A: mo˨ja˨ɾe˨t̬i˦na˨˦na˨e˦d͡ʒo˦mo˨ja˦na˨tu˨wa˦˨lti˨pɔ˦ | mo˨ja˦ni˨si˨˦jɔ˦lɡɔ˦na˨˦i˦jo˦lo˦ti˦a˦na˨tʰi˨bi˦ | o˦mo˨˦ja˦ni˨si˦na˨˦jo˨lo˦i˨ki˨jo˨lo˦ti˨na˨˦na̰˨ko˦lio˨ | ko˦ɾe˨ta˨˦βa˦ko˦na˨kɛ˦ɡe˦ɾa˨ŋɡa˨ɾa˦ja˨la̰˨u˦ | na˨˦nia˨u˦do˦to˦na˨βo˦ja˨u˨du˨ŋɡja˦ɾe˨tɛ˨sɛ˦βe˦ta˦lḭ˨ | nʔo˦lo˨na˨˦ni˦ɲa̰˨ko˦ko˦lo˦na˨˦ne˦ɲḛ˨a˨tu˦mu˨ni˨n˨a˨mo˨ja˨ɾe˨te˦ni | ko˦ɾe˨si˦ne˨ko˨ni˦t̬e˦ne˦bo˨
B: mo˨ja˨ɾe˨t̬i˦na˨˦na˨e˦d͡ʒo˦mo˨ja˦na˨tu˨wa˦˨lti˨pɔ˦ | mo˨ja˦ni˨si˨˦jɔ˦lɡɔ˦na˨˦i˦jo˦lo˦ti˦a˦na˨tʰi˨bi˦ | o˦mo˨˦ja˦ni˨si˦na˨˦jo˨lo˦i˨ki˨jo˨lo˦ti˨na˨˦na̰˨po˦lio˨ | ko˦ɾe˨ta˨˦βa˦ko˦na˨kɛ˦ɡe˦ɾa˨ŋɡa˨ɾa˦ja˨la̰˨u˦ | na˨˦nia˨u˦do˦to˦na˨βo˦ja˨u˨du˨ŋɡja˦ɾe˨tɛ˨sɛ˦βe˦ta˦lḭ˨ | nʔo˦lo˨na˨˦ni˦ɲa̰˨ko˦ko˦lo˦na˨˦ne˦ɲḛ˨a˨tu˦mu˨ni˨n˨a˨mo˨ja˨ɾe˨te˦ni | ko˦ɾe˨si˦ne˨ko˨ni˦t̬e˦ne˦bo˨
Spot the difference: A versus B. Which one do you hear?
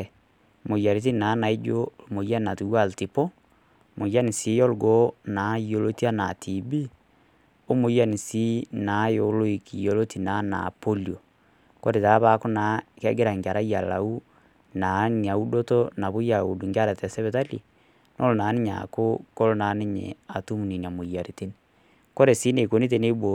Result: B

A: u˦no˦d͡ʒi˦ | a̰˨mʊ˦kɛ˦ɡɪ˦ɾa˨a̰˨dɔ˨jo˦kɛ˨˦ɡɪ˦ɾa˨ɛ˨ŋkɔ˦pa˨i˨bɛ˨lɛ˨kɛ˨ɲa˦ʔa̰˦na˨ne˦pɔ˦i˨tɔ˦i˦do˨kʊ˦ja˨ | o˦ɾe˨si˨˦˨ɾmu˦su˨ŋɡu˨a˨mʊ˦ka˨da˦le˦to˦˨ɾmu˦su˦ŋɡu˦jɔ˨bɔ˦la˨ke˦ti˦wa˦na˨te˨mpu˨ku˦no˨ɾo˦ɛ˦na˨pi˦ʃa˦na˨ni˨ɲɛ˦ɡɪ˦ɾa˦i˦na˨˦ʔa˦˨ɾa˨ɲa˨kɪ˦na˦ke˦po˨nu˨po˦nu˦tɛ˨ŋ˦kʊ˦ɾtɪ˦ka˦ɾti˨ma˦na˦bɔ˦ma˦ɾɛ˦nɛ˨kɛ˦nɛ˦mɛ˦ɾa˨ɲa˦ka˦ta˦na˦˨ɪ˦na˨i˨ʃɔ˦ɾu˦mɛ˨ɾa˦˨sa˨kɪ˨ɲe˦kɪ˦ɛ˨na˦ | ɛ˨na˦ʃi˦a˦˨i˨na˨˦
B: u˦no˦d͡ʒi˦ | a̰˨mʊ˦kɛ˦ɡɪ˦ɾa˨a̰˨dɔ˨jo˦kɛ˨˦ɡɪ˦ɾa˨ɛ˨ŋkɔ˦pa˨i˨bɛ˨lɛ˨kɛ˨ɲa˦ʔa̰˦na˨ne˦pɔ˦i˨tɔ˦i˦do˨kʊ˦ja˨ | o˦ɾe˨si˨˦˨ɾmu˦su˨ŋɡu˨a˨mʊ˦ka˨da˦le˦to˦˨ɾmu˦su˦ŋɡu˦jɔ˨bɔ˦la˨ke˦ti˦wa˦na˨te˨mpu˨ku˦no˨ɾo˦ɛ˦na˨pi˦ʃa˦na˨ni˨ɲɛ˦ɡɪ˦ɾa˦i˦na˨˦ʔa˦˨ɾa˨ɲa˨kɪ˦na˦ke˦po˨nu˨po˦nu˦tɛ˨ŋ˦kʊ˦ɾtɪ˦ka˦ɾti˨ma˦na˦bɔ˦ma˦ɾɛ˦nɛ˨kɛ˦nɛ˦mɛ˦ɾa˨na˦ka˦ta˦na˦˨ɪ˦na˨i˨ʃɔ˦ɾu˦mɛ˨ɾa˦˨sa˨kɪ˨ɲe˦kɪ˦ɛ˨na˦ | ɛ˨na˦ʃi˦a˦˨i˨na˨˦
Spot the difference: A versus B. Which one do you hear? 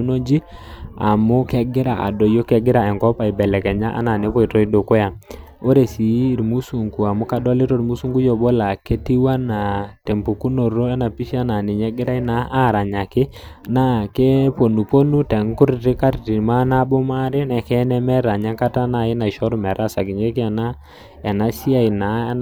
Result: A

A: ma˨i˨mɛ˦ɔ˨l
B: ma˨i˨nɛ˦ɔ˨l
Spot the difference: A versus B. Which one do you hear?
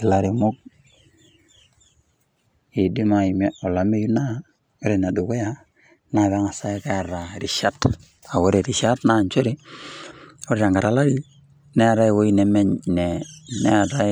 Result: A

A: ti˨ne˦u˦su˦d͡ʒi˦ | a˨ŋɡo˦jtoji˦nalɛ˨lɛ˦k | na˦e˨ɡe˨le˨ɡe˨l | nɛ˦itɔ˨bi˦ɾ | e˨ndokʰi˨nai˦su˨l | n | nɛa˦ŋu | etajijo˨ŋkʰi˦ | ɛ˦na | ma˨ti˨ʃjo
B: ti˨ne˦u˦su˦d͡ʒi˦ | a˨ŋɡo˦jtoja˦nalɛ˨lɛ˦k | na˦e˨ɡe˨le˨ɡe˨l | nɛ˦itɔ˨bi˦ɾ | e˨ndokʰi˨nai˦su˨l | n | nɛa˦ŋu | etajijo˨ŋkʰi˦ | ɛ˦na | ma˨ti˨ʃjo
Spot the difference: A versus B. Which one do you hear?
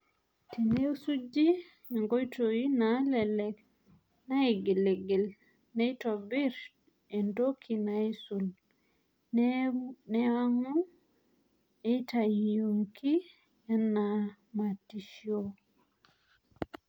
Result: A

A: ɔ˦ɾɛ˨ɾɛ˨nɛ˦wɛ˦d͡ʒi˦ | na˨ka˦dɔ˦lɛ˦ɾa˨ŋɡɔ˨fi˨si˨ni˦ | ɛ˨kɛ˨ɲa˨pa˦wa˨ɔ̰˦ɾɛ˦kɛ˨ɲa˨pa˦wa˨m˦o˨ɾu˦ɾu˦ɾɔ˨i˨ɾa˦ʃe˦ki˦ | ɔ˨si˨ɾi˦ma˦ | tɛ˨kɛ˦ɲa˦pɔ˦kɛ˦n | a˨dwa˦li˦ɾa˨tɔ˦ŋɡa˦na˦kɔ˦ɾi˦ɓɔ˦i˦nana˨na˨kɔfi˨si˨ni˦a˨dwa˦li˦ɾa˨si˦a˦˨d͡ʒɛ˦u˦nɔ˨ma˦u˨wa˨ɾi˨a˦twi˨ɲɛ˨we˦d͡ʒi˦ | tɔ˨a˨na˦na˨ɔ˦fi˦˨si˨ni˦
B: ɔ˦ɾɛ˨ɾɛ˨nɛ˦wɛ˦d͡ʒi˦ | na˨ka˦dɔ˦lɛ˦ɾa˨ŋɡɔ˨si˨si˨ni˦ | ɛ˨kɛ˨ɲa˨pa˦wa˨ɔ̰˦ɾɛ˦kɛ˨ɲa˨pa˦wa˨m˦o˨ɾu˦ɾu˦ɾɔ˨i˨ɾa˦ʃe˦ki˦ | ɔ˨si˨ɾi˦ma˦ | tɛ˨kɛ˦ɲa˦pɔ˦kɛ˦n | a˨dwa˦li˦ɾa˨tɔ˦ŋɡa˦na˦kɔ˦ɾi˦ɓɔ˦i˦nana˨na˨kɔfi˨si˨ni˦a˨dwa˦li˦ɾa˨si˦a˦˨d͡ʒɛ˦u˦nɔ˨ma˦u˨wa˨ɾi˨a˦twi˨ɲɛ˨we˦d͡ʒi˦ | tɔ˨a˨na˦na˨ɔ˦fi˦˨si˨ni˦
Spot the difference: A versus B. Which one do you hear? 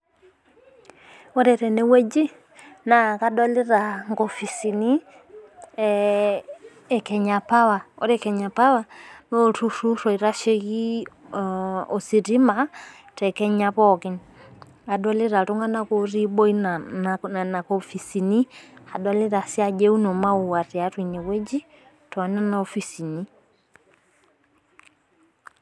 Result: A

